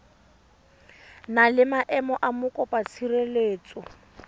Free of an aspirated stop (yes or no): no